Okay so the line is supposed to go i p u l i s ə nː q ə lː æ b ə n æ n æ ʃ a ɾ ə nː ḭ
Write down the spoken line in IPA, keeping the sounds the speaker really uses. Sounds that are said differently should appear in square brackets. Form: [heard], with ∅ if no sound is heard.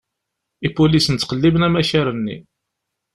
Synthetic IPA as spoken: i p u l i s ə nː q ə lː [i] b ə n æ [m] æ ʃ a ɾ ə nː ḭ